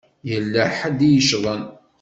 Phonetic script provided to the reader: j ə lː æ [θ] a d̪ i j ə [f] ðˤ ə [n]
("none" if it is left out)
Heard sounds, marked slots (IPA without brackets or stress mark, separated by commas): ħ, ʃ, n